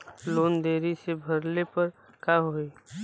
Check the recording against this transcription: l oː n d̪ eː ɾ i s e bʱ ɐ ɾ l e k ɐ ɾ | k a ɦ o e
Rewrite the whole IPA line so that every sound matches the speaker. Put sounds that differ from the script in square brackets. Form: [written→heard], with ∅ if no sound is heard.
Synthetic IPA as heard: l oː n d̪ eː ɾ i s e bʱ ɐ ɾ l e [k→p] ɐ ɾ | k a ɦ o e